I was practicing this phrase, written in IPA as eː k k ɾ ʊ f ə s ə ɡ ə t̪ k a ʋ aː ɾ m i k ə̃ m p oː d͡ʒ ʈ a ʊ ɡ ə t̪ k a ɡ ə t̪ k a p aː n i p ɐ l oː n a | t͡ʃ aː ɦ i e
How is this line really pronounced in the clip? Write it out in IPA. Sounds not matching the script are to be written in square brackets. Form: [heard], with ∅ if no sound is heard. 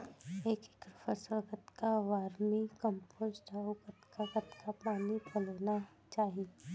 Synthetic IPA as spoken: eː k k ɾ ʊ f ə s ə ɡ ə t̪ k a ʋ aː ɾ m i k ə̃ m p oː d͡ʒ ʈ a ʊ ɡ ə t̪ k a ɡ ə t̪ k a p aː n i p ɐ l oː n a | t͡ʃ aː ɦ i e

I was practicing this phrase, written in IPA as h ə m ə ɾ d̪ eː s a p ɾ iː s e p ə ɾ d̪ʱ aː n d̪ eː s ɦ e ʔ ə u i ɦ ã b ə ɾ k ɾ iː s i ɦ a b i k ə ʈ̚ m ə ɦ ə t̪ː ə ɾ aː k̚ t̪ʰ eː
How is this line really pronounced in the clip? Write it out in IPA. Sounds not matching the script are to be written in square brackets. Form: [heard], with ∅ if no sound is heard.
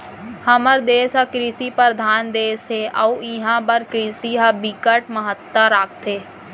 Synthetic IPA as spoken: h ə m ə ɾ d̪ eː s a [k] ɾ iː s [i] p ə ɾ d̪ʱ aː n d̪ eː s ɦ e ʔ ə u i ɦ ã b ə ɾ k ɾ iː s i ɦ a b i k ə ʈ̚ m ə ɦ ə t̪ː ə ɾ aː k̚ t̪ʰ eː

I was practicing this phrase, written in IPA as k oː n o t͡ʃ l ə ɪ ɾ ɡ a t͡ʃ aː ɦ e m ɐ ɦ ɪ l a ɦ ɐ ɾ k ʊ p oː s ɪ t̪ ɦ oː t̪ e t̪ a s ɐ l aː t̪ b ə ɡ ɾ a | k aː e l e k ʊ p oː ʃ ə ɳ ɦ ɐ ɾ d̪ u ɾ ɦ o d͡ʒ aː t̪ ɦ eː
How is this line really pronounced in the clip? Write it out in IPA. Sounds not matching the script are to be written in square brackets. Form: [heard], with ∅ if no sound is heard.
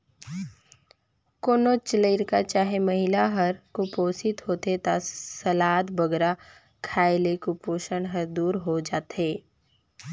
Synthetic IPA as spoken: k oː n o t͡ʃ l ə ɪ ɾ [k] a t͡ʃ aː ɦ e m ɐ ɦ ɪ l a ɦ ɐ ɾ k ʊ p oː s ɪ t̪ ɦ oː t̪ e t̪ a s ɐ l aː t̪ b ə ɡ ɾ a | [kʰ] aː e l e k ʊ p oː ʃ ə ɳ ɦ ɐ ɾ d̪ [uː] ɾ ɦ o d͡ʒ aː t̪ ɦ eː

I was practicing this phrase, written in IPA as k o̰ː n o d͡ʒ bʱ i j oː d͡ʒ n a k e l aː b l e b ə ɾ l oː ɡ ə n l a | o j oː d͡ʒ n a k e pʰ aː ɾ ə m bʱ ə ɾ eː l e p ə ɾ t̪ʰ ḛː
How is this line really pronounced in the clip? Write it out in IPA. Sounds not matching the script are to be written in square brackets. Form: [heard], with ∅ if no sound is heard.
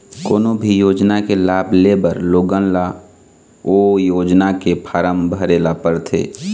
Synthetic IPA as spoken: k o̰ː n o [∅] bʱ i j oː d͡ʒ n a k e l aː b l e b ə ɾ l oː ɡ ə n l a | o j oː d͡ʒ n a k e pʰ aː ɾ ə m bʱ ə ɾ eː l [a] p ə ɾ t̪ʰ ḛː

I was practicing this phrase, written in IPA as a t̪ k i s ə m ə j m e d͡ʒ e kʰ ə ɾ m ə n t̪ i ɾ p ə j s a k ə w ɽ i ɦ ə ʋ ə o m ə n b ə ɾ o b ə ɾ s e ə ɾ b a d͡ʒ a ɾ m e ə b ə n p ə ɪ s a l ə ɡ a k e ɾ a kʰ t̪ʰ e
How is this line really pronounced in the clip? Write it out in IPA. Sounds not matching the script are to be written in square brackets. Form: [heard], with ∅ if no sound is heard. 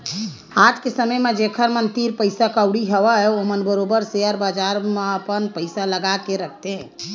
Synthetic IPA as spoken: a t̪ k [e] s ə m ə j m e d͡ʒ e kʰ ə ɾ m ə n t̪ i ɾ p ə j s a k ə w ɽ i ɦ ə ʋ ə o m ə n b ə ɾ o b ə ɾ s e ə ɾ b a d͡ʒ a ɾ m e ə [p] ə n p ə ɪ s a l ə ɡ a k e ɾ [ə] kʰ [t̪] e

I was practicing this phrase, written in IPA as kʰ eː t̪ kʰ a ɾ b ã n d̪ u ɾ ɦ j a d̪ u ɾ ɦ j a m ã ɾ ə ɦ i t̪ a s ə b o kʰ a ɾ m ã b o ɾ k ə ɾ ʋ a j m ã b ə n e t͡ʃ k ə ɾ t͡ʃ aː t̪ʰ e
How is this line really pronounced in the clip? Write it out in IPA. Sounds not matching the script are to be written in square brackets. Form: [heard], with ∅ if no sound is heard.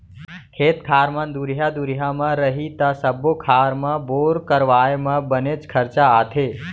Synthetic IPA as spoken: kʰ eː t̪ kʰ a ɾ [m] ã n d̪ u ɾ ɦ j a d̪ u ɾ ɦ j a m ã ɾ ə ɦ i t̪ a s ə b o kʰ a ɾ m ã b o ɾ k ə ɾ ʋ a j m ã b ə n e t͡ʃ [kʰ] ə ɾ t͡ʃ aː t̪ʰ e

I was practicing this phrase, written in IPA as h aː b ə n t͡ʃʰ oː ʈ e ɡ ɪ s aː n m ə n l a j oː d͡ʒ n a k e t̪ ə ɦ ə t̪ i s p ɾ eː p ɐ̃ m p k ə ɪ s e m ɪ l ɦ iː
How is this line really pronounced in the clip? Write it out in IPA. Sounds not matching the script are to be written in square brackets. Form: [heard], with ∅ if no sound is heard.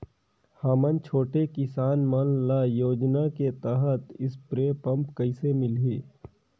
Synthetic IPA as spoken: h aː [m] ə n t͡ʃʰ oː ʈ e [k] ɪ s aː n m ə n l a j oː d͡ʒ n a k e t̪ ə ɦ ə t̪ [ɪ] s p ɾ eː p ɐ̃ m p k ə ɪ s e m ɪ l ɦ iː

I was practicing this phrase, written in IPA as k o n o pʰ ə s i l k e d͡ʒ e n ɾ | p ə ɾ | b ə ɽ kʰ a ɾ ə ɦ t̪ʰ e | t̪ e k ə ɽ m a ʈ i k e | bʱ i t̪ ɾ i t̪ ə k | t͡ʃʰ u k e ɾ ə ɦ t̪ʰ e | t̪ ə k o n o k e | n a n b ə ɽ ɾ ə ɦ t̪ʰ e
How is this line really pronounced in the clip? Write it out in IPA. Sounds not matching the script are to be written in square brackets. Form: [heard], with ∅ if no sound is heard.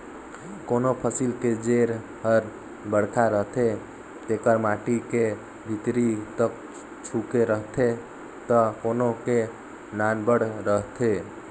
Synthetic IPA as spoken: k o n o pʰ ə s i l k e d͡ʒ e [∅] ɾ | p ə ɾ | b ə ɽ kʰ a ɾ ə ɦ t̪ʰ e | t̪ e k ə [ɾ] m a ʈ i k e | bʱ i t̪ ɾ i t̪ ə k | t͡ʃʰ u k e ɾ ə ɦ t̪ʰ e | t̪ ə k o n o k e | n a n b ə ɽ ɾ ə ɦ t̪ʰ e

